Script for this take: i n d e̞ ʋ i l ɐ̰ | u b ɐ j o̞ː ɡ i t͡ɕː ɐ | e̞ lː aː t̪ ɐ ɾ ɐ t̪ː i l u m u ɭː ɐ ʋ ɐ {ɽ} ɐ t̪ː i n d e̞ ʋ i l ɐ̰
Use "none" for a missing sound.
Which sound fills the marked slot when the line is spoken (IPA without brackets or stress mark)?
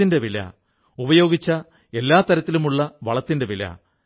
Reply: ɭ